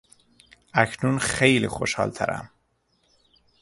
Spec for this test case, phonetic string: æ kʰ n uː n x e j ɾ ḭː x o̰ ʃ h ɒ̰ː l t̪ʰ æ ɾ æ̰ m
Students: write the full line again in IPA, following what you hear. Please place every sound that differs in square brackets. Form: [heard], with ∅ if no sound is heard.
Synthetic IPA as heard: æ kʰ n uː n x e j [l] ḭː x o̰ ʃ h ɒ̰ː l t̪ʰ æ ɾ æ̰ m